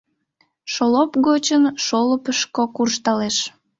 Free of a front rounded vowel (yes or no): yes